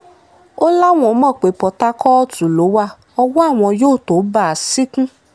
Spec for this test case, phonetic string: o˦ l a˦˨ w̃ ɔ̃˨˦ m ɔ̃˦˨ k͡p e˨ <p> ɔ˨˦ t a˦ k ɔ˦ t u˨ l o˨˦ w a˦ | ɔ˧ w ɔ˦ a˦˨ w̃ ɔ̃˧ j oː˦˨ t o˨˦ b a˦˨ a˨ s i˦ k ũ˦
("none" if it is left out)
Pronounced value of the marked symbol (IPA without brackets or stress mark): p